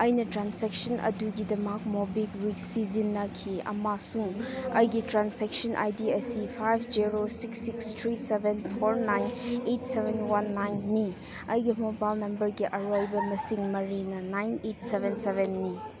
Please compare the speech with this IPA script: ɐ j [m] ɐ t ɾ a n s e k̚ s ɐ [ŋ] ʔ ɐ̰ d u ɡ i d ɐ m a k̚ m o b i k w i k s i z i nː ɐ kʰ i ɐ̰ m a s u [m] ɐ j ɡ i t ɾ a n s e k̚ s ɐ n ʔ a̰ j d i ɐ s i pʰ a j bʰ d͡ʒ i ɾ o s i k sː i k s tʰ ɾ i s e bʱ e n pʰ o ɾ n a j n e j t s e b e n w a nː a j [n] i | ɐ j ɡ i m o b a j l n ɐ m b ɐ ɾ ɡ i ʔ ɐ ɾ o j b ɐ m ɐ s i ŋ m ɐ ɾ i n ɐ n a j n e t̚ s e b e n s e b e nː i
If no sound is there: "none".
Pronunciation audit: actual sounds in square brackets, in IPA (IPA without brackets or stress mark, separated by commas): n, n, ŋ, nː